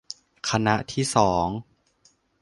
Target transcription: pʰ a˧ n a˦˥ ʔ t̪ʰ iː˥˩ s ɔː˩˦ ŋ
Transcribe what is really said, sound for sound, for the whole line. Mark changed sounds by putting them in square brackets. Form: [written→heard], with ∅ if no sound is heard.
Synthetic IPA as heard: [pʰ→kʰ] a˧ n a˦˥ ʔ t̪ʰ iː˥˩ s ɔː˩˦ ŋ